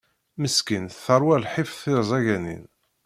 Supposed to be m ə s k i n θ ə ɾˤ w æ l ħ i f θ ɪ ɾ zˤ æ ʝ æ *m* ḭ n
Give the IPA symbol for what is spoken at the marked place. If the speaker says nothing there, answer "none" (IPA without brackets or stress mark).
n